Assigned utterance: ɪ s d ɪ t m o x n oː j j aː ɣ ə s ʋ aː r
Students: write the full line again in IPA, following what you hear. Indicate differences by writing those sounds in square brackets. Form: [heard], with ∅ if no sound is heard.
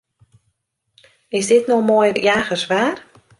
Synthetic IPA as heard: ɪ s d ɪ t [n] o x [m] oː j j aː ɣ ə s ʋ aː r